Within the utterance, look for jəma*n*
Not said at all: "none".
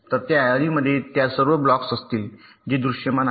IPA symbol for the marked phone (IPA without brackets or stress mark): n